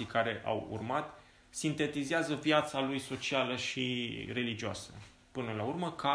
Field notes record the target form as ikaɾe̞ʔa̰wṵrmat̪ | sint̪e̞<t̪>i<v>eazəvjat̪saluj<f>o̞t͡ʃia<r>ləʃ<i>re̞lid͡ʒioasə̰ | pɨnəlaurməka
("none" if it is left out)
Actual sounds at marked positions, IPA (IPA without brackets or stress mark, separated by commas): t̪, z, s, none, i